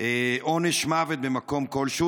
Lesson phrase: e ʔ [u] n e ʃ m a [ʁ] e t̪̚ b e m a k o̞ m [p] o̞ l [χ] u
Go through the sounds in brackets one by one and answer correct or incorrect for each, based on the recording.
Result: incorrect, incorrect, incorrect, incorrect

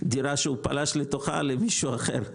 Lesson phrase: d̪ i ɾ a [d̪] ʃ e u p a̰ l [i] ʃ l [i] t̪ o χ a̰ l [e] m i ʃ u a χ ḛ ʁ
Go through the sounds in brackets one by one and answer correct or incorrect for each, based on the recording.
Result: incorrect, incorrect, incorrect, correct

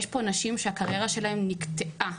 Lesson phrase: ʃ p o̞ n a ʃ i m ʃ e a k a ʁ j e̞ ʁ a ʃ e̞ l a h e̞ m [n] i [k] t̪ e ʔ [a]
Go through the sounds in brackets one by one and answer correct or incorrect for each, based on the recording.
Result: correct, correct, correct

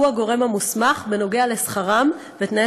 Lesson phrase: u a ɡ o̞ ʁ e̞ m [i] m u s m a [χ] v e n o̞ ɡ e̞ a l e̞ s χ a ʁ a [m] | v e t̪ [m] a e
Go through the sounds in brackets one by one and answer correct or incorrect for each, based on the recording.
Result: incorrect, correct, correct, incorrect

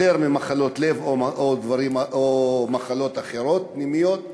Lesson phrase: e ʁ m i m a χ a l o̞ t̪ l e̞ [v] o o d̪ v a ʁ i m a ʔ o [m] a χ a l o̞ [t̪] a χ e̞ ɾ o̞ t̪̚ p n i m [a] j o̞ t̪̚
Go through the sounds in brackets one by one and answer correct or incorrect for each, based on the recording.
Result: correct, correct, correct, incorrect

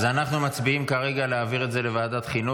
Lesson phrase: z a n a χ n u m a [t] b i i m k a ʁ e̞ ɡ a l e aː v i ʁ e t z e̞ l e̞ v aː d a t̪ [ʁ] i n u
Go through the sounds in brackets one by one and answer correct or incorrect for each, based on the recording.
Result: incorrect, incorrect

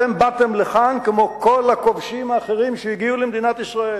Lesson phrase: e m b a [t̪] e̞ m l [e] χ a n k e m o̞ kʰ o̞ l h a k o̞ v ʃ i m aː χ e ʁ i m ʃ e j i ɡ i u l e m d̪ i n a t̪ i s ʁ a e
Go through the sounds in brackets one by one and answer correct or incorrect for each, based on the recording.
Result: correct, correct

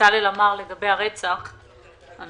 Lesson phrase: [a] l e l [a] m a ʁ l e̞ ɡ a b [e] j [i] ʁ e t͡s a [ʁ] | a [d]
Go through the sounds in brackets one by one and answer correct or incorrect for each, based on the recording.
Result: correct, correct, correct, incorrect, incorrect, incorrect

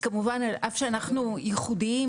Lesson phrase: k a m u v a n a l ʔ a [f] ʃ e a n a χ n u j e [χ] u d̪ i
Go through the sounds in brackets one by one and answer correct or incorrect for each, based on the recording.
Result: correct, correct

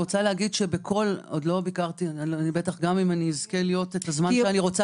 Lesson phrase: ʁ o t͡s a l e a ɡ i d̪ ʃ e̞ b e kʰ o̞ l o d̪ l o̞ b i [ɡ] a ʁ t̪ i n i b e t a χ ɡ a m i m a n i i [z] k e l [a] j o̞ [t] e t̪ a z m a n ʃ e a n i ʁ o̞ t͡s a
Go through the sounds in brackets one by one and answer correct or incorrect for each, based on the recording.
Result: incorrect, correct, incorrect, correct

